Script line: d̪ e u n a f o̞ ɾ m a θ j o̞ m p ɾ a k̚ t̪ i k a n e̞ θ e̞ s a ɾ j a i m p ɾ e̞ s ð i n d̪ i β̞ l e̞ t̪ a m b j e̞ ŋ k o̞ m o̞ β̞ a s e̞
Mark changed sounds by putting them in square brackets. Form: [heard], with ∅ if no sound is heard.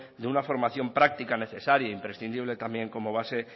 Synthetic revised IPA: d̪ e u n a f o̞ ɾ m a θ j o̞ m p ɾ a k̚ t̪ i k a n e̞ θ e̞ s a ɾ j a i m p ɾ e̞ s [θ] i n d̪ i β̞ l e̞ t̪ a m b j e̞ ŋ k o̞ m o̞ β̞ a s e̞